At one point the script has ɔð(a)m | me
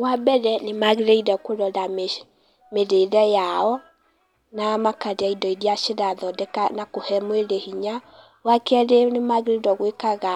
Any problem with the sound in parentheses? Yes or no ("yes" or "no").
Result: no